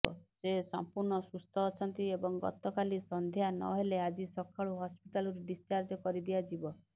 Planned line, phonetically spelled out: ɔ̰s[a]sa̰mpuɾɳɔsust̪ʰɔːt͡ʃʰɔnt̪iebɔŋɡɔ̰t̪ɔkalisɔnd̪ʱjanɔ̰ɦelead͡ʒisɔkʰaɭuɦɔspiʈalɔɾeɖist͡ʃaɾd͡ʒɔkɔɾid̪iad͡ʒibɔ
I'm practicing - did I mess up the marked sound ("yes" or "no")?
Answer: yes